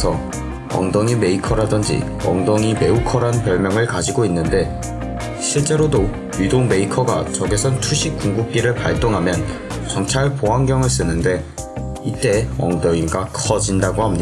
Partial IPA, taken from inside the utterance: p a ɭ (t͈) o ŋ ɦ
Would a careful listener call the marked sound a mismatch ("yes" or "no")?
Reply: no